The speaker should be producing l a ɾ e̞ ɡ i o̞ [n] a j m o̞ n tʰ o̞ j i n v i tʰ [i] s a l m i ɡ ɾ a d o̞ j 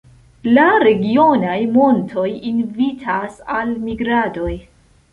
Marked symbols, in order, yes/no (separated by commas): yes, no